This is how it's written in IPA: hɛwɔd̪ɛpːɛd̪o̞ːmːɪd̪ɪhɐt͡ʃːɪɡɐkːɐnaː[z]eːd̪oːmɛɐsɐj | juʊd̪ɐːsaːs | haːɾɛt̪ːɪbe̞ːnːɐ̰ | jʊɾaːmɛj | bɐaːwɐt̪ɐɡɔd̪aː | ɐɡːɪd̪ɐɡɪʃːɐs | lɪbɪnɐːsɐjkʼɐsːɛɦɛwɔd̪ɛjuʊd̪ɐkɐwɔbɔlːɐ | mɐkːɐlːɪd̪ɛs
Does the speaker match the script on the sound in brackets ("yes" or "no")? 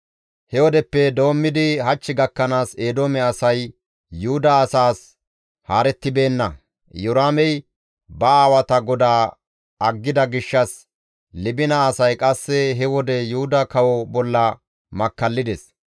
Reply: no